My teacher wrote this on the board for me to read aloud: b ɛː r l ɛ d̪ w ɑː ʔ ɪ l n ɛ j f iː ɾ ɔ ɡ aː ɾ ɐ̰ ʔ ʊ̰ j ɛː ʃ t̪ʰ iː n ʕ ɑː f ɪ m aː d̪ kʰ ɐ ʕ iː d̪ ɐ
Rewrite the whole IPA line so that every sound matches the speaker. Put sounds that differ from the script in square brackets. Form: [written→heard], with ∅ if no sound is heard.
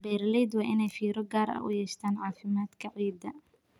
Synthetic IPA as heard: b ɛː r l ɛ d̪ w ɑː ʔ ɪ [l→∅] n ɛ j f iː ɾ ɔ ɡ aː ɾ ɐ̰ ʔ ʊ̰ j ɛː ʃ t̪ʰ [iː→aː] n ʕ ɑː f ɪ m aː d̪ kʰ ɐ ʕ iː d̪ ɐ